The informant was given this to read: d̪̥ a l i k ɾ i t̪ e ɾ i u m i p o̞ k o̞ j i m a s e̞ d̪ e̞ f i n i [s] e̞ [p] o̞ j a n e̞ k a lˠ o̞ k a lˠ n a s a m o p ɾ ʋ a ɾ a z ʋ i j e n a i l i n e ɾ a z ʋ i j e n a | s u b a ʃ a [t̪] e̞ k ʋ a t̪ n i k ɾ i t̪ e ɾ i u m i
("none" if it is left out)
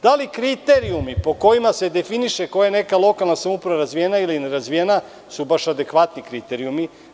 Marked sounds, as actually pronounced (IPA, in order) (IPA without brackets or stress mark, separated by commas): ʃ, k, d̪